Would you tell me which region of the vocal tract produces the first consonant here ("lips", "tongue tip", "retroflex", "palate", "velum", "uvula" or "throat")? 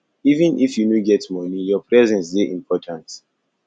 lips